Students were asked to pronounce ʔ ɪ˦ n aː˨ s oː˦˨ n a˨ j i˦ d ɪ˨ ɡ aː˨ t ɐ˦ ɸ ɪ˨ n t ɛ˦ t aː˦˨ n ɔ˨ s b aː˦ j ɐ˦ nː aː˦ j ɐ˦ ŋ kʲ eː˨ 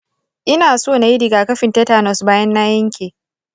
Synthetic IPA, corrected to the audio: ʔ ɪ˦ n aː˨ s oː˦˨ n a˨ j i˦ d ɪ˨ ɡ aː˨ k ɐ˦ ɸ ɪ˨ n t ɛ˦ t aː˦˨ n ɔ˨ s b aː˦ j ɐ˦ nː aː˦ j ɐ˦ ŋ kʲ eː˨